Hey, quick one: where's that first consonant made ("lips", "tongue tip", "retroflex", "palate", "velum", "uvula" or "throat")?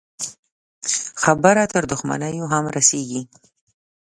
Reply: velum